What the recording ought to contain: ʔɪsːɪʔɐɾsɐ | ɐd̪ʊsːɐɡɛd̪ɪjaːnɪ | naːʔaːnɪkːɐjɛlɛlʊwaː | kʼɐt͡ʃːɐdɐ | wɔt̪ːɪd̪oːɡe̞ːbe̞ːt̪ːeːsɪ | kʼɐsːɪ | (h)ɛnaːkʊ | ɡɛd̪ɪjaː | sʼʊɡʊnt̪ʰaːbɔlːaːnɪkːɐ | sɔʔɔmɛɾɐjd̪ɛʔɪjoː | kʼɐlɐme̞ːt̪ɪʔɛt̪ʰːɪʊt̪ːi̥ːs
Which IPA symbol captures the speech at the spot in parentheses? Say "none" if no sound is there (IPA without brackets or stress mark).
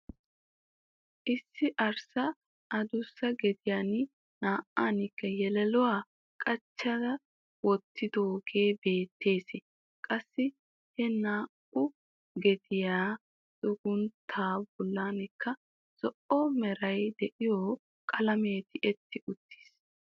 h